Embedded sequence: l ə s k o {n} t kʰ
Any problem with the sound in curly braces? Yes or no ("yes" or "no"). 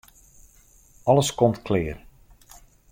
yes